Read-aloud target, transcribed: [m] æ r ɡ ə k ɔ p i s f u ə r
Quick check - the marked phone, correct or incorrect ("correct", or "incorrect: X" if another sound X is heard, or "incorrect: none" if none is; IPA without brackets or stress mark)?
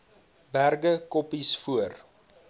incorrect: b